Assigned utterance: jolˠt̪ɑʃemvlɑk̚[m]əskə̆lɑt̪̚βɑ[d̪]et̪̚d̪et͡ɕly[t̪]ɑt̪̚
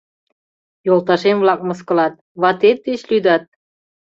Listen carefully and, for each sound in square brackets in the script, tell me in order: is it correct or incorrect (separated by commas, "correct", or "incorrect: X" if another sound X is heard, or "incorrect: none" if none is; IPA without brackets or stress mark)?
correct, incorrect: t̪, incorrect: d̪